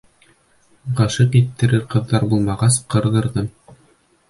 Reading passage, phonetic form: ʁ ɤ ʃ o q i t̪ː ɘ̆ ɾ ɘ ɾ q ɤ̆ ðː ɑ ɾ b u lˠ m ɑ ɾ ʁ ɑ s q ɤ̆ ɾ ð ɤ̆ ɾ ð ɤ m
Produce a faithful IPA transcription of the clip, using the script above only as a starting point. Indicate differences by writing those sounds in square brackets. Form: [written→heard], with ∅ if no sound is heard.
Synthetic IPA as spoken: ʁ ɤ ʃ [o→ɤ] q i t̪ː ɘ̆ ɾ ɘ ɾ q ɤ̆ ðː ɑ ɾ b u lˠ m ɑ [ɾ→∅] ʁ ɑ s q ɤ̆ ɾ ð ɤ̆ ɾ ð ɤ m